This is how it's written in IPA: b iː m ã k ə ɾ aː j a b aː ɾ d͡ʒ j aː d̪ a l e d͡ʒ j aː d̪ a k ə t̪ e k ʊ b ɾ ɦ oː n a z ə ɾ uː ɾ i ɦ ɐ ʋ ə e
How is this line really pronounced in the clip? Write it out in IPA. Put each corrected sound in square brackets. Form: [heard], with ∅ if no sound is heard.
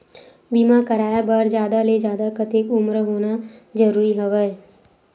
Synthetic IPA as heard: b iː m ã k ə ɾ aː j a b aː ɾ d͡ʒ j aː d̪ a l e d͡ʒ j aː d̪ a k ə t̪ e k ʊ [m] ɾ ɦ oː n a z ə ɾ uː ɾ i ɦ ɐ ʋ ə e